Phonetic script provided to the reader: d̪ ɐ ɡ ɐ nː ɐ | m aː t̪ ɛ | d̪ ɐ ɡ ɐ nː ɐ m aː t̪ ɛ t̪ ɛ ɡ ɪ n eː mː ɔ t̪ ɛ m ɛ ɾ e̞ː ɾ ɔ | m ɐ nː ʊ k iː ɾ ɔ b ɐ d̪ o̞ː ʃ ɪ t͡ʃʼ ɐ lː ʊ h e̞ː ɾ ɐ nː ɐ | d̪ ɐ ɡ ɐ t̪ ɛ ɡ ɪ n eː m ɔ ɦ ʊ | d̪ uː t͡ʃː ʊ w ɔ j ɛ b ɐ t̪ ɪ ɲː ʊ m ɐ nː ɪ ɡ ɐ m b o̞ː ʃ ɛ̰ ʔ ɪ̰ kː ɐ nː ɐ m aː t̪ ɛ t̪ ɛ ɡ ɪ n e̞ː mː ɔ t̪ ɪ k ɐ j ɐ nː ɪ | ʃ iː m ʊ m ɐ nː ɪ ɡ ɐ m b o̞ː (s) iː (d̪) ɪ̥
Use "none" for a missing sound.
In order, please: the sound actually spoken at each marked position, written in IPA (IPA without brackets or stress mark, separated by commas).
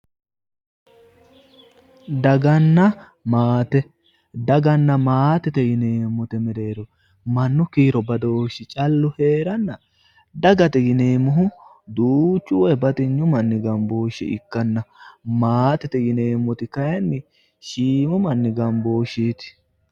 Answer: ʃ, t̪